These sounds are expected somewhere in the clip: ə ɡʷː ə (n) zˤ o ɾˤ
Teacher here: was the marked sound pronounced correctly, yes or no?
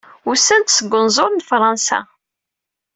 yes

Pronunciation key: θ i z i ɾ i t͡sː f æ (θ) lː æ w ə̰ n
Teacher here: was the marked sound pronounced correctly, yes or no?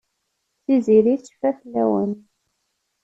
yes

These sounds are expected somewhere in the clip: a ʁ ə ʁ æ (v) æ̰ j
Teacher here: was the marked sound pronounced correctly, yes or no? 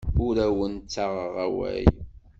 no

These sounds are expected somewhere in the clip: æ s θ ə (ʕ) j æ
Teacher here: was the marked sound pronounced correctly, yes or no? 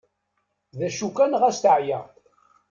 yes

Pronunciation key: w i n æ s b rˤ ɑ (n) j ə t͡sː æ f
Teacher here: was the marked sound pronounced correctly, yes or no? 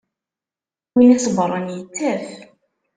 yes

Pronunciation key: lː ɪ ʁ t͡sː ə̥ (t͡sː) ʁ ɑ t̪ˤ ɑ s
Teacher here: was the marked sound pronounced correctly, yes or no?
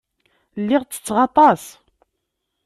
yes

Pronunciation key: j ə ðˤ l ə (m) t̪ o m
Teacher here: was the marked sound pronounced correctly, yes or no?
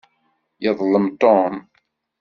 yes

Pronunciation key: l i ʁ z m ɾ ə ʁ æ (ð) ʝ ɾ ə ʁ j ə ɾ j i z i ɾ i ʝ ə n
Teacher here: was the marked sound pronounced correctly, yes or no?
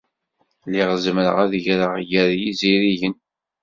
yes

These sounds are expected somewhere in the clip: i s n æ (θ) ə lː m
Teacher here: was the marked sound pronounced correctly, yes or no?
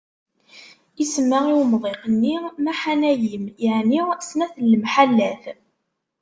yes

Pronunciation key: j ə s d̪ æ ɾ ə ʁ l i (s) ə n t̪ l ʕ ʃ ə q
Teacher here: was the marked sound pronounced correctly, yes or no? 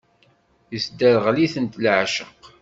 no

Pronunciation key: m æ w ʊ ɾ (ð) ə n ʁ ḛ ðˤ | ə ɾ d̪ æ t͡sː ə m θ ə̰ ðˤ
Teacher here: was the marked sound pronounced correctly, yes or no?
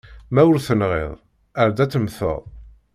no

